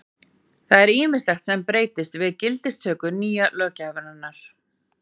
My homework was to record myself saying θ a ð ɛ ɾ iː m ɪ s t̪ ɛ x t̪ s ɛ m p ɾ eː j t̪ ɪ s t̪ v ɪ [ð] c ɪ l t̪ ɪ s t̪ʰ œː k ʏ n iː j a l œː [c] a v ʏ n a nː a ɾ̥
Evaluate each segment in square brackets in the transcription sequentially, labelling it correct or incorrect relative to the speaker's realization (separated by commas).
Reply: correct, correct